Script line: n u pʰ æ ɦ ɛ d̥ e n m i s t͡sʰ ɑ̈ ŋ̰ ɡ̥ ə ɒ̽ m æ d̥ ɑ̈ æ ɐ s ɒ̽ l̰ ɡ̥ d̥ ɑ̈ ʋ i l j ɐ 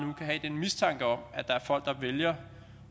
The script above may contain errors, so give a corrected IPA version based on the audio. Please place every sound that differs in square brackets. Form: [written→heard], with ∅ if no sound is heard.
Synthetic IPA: n u [pʰ→kʰ] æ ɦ ɛ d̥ e n m i s t͡sʰ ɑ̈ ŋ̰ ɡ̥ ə ɒ̽ m æ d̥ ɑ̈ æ ɐ [s→f] ɒ̽ l̰ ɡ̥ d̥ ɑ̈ ʋ [i→e] l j ɐ